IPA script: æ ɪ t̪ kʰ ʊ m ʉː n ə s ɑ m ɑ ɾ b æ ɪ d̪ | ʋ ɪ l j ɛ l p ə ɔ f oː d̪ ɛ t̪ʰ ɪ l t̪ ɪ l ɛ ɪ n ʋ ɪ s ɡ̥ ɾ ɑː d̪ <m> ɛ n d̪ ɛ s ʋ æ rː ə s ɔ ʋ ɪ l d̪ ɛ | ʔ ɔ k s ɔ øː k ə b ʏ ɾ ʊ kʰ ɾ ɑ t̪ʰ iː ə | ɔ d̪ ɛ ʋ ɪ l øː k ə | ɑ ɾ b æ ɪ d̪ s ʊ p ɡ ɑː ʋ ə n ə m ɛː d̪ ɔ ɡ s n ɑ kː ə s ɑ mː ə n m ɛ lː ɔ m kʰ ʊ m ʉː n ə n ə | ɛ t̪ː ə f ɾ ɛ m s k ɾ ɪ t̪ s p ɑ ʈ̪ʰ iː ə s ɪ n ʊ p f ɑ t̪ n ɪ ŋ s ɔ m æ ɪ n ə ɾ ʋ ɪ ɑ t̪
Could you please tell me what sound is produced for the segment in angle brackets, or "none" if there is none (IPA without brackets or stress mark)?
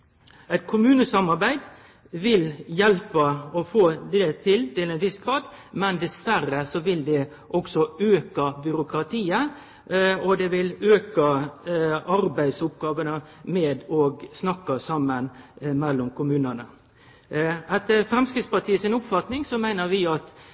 m